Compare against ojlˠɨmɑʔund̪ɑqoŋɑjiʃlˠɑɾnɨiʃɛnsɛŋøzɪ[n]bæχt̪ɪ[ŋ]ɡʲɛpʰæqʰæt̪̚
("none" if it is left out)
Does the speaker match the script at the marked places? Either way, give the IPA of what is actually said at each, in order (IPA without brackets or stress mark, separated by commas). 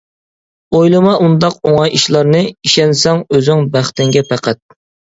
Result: ŋ, ŋ